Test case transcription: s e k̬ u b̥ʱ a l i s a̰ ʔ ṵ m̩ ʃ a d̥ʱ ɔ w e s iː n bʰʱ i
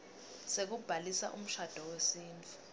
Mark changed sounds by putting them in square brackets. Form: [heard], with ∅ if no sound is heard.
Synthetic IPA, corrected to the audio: s e k̬ u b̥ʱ a l i s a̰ ʔ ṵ m̩ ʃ a d̥ʱ ɔ w e s iː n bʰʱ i

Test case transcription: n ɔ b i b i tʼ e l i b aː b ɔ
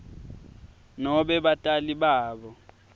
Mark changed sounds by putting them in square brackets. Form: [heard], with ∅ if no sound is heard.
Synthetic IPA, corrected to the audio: n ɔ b [ɛ] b [a] tʼ [a] l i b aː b ɔ

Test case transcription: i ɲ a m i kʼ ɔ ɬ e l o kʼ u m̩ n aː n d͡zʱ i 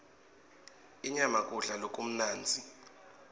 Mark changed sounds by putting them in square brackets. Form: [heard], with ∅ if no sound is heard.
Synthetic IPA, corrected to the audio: i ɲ a m [a] kʼ [u] ɬ [a] l o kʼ u m̩ n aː n d͡zʱ i

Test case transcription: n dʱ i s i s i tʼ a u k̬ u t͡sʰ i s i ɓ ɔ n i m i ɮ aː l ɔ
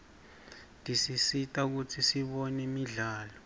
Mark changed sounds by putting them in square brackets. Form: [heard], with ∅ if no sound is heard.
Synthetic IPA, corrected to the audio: n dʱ i s i s i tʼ a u k̬ u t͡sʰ i s i ɓ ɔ n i m i ɮ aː l ɔ

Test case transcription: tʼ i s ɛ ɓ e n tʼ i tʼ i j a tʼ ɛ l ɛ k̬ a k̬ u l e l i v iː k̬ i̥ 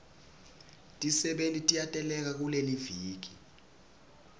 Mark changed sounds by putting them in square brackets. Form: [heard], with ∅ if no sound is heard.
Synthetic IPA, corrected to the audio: tʼ i s ɛ ɓ e n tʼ i tʼ i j a tʼ ɛ l ɛ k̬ a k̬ u l e l i v iː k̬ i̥

